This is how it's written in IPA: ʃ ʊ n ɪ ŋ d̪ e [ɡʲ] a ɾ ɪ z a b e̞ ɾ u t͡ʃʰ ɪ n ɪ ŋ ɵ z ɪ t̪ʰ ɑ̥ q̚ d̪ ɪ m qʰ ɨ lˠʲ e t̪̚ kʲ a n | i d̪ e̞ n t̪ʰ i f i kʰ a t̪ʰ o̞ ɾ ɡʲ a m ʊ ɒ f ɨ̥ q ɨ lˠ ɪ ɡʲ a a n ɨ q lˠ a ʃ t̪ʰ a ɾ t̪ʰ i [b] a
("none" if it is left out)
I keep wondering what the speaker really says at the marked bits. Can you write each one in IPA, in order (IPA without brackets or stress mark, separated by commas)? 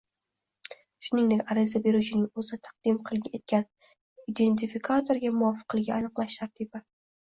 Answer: kʲ, b